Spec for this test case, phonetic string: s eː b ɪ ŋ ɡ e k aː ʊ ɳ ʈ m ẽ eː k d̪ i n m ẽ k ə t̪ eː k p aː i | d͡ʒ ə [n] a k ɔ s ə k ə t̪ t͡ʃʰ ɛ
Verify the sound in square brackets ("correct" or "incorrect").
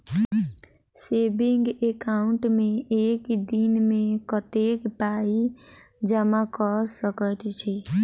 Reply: incorrect